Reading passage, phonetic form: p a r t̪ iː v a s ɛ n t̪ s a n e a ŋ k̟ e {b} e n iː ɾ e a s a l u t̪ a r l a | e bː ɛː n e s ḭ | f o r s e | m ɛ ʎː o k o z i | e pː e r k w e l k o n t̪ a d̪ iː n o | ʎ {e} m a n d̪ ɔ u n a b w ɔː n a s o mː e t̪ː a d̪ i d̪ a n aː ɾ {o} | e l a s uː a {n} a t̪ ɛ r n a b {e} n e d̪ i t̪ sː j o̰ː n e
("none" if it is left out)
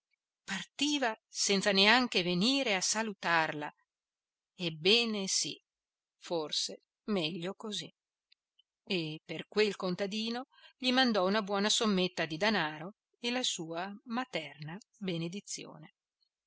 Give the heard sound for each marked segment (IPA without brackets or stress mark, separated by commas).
v, i, o, m, e